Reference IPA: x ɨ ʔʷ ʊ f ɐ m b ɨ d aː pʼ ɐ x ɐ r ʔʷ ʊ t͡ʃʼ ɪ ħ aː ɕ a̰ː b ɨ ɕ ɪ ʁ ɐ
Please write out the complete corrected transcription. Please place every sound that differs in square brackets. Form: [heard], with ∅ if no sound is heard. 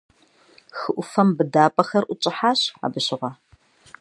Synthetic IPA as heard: x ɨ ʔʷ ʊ f ɐ m b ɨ d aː pʼ ɐ x ɐ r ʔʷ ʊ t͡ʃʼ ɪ ħ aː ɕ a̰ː b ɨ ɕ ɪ ʁ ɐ